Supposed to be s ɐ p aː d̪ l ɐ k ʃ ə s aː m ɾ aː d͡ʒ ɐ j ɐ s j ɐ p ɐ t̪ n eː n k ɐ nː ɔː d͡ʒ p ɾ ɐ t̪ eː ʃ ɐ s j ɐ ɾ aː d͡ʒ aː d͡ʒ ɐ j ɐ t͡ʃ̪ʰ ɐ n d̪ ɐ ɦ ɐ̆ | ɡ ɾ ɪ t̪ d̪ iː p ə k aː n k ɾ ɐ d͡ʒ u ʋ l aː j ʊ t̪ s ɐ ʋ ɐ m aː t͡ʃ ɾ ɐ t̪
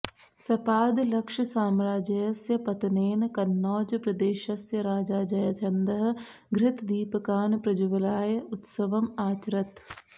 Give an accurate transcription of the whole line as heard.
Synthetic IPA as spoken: s ɐ p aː d̪ l ɐ k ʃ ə s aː m ɾ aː d͡ʒ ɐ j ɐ s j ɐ p ɐ t̪ n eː n k ɐ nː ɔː d͡ʒ p ɾ ɐ d̪ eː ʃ ɐ s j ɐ ɾ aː d͡ʒ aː d͡ʒ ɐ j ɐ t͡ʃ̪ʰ ɐ n d̪ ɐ ɦ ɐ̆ | ɡ ɾ ɪ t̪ d̪ iː p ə k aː n p ɾ ɐ d͡ʒ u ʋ l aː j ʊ t̪ s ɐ ʋ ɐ m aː t͡ʃ ɾ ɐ t̪